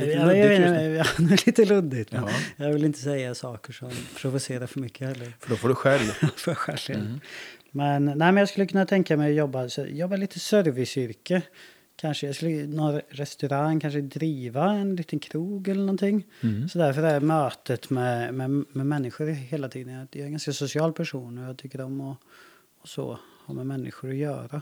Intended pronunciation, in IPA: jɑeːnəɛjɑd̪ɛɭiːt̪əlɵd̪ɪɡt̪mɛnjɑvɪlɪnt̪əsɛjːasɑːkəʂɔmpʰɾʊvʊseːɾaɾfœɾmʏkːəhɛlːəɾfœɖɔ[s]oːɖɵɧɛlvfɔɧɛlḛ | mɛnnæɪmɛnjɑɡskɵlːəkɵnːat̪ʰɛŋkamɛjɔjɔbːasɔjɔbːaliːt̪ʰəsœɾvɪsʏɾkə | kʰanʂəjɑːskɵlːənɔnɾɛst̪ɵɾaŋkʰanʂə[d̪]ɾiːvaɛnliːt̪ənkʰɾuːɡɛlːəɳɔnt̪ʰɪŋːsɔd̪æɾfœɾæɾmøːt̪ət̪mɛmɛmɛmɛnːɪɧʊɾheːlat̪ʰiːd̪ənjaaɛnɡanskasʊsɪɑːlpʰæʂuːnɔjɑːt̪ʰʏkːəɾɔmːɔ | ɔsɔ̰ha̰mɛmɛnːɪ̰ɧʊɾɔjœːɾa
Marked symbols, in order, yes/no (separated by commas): no, yes